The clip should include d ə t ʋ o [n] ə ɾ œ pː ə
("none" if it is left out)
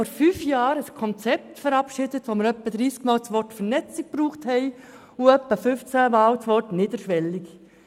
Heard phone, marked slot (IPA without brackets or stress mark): m